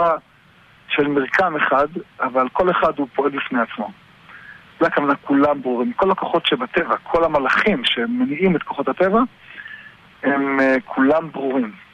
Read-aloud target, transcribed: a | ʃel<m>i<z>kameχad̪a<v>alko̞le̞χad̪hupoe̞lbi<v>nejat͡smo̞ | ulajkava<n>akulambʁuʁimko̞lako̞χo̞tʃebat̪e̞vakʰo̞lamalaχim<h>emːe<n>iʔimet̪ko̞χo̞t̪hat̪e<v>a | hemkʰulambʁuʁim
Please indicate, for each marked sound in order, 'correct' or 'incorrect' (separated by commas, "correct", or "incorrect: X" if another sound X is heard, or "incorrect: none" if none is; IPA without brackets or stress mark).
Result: correct, incorrect: ʁ, correct, incorrect: f, correct, incorrect: ʃ, correct, correct